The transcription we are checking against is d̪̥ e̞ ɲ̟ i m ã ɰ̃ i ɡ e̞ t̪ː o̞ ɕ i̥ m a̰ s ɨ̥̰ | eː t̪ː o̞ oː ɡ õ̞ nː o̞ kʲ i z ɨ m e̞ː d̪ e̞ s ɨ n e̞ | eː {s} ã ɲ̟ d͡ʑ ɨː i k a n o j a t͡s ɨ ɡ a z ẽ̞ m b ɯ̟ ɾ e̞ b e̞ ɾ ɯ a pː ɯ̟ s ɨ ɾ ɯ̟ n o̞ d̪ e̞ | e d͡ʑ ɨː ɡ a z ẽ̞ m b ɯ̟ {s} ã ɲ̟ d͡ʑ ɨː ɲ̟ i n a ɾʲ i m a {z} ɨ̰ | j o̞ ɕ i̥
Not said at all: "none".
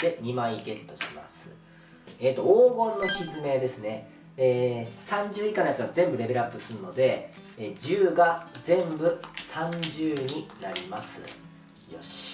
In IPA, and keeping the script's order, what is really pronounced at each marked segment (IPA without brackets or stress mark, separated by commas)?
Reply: s, s, s